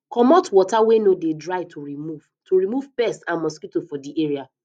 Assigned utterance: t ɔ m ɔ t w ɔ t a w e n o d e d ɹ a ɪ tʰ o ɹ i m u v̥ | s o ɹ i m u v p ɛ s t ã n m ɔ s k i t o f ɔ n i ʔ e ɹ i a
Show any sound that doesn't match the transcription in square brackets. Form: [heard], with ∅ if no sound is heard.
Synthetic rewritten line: [k] ɔ m ɔ t w ɔ t a w e n o d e d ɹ a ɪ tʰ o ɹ i m u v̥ | [t] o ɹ i m u v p ɛ s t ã n m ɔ s k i t o f ɔ [d] i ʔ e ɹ i a